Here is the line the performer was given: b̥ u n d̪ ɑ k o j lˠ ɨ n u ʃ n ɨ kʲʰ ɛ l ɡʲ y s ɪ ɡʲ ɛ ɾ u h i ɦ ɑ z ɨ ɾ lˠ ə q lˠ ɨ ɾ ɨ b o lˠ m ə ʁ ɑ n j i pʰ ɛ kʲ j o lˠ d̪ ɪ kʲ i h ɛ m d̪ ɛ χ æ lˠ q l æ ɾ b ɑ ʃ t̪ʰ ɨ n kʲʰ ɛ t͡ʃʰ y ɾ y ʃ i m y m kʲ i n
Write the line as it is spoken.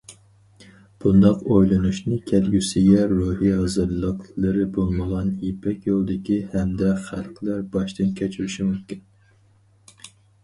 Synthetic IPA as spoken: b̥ u n d̪ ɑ q o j lˠ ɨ n u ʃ n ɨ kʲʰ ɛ l ɡʲ y s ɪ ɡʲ ɛ ɾ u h i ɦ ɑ z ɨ ɾ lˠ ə q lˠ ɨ ɾ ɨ b o lˠ m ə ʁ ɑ n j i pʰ ɛ kʲ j o lˠ d̪ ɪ kʲ i h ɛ m d̪ ɛ χ æ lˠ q l æ ɾ b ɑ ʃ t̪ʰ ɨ n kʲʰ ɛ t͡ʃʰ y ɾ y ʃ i m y m kʲ i n

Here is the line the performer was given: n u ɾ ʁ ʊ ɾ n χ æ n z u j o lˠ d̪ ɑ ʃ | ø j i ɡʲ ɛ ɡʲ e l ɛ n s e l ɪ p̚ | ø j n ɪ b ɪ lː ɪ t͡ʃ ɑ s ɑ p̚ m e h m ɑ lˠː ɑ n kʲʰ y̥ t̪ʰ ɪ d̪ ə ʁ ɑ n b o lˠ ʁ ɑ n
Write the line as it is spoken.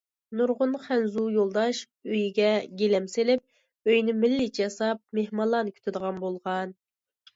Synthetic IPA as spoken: n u ɾ ʁ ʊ n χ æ n z u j o lˠ d̪ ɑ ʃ | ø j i ɡʲ ɛ ɡʲ e l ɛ m s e l ɪ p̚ | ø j n ɪ m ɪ lː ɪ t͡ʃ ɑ s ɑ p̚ m e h m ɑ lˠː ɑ n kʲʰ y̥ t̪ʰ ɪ d̪ ə ʁ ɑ n b o lˠ ʁ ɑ n

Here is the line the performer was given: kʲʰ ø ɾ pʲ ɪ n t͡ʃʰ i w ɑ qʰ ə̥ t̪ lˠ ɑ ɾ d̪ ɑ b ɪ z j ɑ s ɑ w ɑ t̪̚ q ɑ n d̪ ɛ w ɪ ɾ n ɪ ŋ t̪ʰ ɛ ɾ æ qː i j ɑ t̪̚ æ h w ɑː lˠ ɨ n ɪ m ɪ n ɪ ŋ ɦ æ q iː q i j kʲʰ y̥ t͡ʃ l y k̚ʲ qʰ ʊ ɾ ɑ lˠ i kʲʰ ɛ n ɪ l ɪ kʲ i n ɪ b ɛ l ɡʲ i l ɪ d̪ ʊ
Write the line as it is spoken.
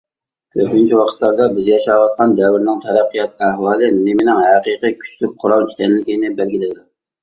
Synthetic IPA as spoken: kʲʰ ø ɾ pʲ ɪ n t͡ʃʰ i w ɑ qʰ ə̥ t̪ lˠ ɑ ɾ d̪ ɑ b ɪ z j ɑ ʃ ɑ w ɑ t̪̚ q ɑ n d̪ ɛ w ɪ ɾ n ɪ ŋ t̪ʰ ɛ ɾ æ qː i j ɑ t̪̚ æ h w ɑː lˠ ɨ n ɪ m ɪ n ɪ ŋ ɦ æ q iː q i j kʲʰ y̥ t͡ʃ l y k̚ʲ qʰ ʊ ɾ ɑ lˠ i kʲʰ ɛ n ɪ l ɪ kʲ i n ɪ b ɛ l ɡʲ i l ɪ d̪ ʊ

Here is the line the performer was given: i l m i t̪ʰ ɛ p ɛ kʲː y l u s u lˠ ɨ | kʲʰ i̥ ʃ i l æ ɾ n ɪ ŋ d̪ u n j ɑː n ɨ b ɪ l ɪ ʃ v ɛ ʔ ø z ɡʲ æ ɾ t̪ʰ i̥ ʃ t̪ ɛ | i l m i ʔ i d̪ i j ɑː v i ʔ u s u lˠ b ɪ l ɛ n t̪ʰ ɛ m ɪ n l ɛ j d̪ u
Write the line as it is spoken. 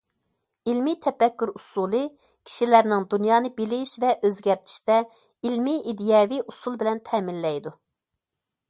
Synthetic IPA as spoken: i l m i t̪ʰ ɛ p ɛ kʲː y ɾ u s u lˠ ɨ | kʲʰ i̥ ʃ i l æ ɾ n ɪ ŋ d̪ u n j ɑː n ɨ b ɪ l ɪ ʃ v ɛ ʔ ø z ɡʲ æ ɾ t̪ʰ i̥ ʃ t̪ ɛ | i l m i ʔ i d̪ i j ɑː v i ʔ u s u lˠ b ɪ l ɛ n t̪ʰ ɛ m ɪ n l ɛ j d̪ u

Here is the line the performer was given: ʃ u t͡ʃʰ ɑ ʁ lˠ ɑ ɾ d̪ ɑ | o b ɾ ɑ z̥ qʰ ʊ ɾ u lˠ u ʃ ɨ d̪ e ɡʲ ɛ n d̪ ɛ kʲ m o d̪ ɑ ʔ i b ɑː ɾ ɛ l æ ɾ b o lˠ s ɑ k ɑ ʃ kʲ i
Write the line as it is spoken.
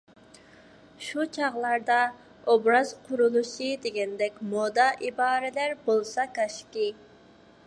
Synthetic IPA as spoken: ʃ u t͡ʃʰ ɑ ʁ lˠ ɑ ɾ d̪ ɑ | o b ɾ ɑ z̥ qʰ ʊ ɾ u lˠ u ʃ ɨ d̪ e ɡʲ ɛ n d̪ ɛ kʲ m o d̪ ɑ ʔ i b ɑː ɾ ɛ l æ ɾ b o lˠ s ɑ k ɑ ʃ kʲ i

